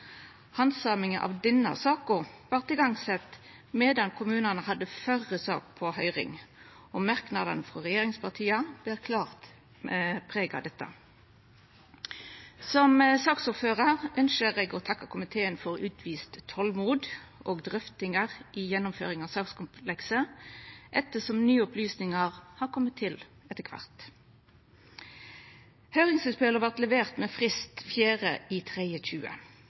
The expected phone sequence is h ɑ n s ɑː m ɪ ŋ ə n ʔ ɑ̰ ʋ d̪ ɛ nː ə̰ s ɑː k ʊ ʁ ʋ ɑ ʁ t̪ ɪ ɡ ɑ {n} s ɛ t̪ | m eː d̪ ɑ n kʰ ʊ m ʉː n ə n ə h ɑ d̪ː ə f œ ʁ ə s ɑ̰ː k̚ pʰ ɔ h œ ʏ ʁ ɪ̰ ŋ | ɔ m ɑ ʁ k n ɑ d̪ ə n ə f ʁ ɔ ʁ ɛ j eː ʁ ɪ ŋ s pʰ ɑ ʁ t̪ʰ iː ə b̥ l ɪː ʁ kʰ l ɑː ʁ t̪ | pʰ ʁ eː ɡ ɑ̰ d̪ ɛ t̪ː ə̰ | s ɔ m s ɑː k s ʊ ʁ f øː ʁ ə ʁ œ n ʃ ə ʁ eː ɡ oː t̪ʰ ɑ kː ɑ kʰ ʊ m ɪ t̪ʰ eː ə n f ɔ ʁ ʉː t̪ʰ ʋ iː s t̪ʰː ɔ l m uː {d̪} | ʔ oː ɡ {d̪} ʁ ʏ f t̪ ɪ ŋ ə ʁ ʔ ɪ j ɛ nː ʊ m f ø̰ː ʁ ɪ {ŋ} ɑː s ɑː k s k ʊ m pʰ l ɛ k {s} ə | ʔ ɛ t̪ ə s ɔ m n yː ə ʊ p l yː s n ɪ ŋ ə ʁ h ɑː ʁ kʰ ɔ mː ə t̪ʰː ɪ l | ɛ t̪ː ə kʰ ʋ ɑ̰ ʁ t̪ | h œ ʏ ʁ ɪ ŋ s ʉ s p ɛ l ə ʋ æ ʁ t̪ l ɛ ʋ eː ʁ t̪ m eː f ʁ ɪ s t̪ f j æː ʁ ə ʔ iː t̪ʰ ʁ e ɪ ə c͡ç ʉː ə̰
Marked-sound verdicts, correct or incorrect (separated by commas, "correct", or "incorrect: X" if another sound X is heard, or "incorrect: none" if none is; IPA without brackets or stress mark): incorrect: ŋ, correct, correct, correct, correct